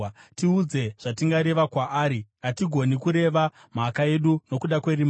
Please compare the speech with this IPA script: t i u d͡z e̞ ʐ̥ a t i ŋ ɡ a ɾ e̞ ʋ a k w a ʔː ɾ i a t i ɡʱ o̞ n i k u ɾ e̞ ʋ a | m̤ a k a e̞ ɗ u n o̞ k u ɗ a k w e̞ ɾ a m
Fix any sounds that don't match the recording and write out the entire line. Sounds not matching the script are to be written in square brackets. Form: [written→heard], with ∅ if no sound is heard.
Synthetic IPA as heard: t i u d͡z e̞ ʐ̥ a t i ŋ ɡ a ɾ e̞ ʋ a k w a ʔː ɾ i a t i ɡʱ o̞ n i k u ɾ e̞ ʋ a | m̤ a k a e̞ ɗ u n o̞ k u ɗ a k w e̞ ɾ [a→i] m